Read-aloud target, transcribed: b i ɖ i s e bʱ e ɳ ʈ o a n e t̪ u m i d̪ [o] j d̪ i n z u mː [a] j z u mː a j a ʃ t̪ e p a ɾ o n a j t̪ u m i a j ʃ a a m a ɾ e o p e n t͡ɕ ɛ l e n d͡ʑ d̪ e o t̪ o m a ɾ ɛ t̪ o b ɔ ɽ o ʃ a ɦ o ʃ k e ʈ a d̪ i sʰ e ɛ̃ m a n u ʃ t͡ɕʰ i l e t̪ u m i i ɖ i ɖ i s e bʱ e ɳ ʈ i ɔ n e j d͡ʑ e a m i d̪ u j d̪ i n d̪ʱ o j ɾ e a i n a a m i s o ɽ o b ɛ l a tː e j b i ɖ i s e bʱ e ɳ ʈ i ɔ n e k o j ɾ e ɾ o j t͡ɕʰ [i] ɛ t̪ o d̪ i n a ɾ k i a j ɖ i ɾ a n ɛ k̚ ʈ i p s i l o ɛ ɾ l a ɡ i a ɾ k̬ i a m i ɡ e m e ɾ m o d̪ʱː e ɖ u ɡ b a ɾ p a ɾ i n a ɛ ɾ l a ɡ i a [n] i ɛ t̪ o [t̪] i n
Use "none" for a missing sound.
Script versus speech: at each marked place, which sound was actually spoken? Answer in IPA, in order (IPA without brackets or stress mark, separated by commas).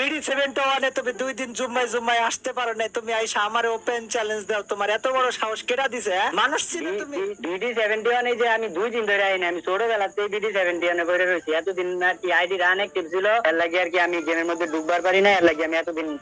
u, a, i, m, d̪